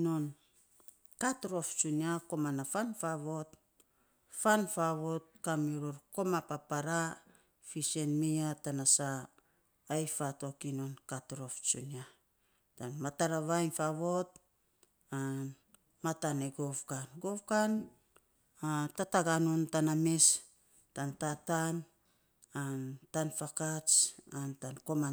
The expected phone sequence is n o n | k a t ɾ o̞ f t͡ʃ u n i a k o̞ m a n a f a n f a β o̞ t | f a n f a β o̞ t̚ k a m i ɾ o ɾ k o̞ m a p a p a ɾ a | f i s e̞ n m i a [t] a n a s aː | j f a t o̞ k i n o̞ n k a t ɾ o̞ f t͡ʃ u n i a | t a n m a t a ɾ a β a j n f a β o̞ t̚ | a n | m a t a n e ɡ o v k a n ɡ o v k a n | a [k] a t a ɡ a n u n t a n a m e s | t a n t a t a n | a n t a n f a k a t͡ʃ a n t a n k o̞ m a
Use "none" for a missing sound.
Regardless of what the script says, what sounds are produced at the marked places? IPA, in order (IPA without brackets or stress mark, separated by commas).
t, t